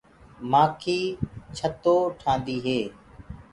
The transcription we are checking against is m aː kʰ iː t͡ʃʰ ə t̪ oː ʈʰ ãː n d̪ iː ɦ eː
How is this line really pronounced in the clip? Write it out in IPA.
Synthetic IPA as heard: m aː kʰ iː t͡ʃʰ ə t̪ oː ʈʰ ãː n d̪ iː ɦ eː